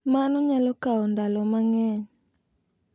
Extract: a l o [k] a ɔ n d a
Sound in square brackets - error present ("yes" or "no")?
no